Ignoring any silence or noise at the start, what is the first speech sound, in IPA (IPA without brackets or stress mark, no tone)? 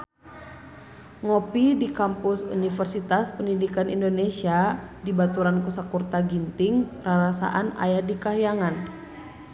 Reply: ŋ